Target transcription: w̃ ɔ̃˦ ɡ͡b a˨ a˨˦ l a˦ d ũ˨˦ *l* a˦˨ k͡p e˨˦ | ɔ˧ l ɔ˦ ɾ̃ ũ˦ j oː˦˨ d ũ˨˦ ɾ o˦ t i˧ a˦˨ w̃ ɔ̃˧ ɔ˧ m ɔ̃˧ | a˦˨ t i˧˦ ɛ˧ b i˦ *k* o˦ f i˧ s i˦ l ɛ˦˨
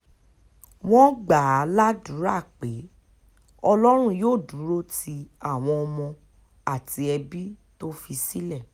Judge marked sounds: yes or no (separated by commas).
no, no